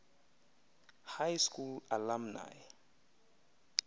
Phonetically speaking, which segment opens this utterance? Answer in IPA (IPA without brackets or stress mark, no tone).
h